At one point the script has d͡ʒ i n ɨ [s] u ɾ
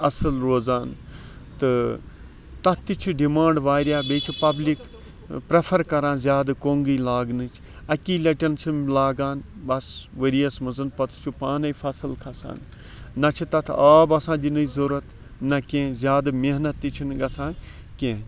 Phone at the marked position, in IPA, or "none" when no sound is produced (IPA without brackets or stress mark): z